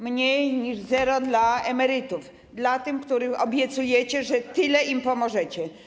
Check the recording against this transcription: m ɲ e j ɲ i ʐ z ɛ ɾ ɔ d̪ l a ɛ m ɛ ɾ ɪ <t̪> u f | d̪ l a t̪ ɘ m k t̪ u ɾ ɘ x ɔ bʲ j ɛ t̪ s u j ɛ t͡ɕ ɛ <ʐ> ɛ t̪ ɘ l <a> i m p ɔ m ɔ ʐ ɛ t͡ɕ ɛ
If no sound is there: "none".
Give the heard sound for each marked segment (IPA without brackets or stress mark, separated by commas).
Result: t̪, ʐ, ɛ